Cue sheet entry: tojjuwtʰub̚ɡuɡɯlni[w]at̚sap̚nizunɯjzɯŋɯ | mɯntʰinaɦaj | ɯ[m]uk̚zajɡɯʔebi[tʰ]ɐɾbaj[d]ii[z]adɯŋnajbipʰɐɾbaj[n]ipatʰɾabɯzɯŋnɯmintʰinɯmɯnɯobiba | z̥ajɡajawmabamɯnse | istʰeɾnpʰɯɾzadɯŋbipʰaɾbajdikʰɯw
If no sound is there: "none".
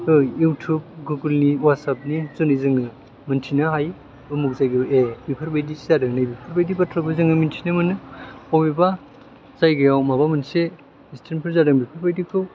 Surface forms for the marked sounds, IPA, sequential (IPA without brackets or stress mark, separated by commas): w, m, pʰ, d, z, d